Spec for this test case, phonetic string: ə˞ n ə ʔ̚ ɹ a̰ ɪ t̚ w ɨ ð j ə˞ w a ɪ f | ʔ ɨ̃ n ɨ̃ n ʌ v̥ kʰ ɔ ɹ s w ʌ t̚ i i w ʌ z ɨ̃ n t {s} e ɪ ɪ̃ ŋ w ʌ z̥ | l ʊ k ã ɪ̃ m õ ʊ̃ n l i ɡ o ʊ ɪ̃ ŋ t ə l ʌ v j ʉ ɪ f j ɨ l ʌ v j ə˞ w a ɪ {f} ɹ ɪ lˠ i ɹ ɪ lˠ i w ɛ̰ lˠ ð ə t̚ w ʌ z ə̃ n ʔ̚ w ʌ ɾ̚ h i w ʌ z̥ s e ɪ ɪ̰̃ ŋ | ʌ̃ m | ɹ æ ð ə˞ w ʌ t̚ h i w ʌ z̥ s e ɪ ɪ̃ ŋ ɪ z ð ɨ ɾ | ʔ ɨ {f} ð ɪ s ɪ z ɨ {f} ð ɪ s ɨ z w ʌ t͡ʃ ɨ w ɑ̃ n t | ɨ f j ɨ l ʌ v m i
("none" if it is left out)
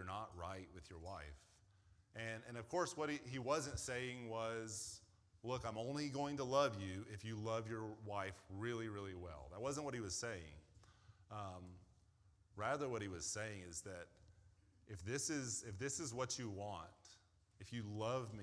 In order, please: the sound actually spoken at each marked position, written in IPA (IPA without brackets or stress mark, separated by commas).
s, f, f, f